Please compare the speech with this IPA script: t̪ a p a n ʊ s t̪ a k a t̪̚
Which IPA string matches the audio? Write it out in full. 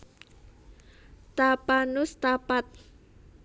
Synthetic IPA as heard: t̪ a p a n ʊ s t̪ a p a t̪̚